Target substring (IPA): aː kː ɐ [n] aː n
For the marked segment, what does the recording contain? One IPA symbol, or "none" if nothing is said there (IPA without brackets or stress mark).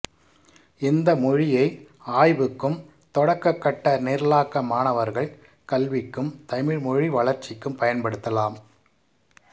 m